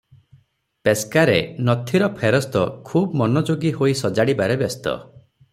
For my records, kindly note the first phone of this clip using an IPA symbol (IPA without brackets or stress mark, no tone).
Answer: p